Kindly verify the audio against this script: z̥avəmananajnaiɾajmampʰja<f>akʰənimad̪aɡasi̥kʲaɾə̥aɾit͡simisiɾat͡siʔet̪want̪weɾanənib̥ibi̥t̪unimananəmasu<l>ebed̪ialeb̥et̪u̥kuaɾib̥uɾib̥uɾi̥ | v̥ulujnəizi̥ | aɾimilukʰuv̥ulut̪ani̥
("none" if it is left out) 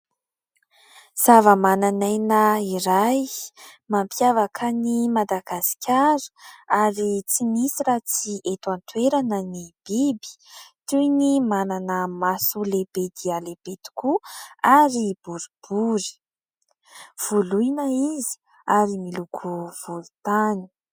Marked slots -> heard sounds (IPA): v, l

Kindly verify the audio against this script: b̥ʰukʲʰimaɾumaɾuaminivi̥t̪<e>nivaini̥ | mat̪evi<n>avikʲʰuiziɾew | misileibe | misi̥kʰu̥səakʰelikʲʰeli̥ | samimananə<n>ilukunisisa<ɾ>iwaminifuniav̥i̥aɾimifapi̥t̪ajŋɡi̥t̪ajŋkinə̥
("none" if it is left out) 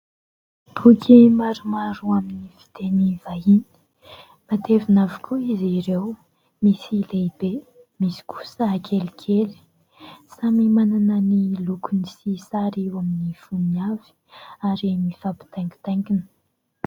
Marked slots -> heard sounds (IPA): e, n, n, ɾ

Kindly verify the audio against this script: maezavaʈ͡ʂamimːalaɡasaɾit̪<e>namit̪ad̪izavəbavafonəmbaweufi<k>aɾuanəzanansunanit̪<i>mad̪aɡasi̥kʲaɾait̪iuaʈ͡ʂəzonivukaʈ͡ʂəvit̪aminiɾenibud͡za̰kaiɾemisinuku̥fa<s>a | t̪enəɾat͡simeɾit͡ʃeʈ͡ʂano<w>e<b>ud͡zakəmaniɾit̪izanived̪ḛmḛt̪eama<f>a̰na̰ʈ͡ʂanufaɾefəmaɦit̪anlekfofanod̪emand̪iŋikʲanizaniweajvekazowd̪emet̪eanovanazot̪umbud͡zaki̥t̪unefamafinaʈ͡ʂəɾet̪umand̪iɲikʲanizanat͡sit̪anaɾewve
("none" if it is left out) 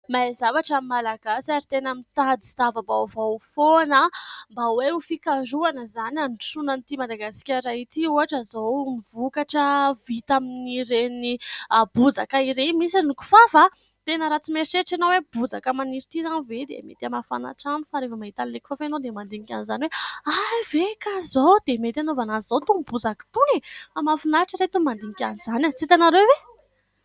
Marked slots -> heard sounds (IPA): e, k, i, f, w, b, f

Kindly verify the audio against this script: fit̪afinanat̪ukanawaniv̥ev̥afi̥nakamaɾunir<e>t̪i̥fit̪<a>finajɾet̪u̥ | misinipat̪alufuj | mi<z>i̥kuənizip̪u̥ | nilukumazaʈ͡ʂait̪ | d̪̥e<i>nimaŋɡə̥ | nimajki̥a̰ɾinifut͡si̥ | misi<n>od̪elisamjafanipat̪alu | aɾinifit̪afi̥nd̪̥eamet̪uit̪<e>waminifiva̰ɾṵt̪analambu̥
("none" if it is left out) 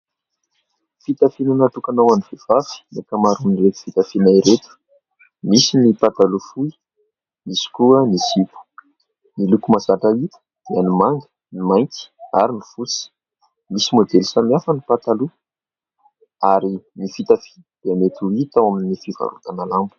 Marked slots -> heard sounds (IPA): e, a, s, a, m, a

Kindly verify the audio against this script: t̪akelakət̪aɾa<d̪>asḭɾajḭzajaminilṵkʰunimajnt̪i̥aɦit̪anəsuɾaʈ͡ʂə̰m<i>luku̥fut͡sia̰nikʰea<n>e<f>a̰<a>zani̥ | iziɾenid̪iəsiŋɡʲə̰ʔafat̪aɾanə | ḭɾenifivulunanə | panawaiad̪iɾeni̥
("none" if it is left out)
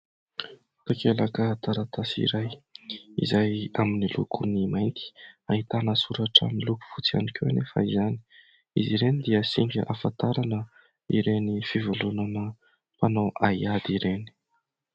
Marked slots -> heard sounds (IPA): t̪, i, n, f, i

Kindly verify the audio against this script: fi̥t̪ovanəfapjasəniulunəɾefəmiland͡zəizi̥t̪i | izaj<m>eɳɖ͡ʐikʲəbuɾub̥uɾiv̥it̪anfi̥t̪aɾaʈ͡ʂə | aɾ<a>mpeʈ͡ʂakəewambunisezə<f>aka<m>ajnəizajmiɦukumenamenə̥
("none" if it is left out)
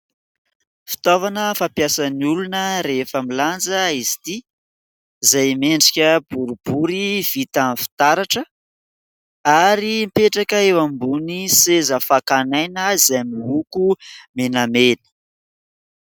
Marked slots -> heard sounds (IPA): m, i, f, n

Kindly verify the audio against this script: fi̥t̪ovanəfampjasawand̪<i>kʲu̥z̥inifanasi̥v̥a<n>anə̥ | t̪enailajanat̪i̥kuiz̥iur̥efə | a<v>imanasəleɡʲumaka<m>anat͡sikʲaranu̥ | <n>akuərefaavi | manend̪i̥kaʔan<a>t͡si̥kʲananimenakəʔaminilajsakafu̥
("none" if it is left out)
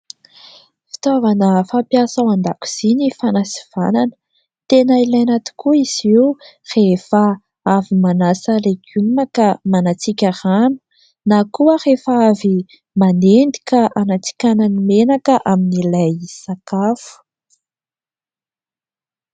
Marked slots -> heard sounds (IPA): a, n, v, m, n, a

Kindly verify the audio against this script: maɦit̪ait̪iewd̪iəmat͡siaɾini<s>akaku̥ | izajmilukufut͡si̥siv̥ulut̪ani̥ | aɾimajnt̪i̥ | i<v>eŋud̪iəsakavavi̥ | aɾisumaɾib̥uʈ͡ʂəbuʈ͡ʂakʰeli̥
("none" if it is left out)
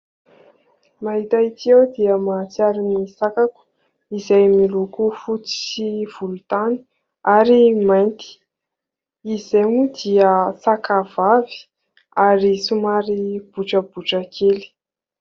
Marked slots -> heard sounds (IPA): s, z

